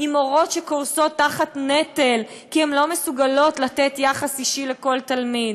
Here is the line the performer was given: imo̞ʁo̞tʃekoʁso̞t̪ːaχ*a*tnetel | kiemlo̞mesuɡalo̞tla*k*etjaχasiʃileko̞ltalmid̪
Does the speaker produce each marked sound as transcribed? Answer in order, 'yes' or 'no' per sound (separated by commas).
yes, no